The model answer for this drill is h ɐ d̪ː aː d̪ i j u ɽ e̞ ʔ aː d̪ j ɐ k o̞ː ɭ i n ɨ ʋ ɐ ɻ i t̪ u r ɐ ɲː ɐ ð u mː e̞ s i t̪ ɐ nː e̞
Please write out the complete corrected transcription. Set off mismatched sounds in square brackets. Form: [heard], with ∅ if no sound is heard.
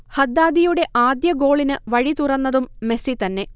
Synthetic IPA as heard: h ɐ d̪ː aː d̪ i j u ɽ e̞ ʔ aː d̪ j ɐ [ɡ] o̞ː ɭ i n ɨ ʋ ɐ ɻ i t̪ u r ɐ [nː] ɐ ð u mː e̞ s i t̪ ɐ nː e̞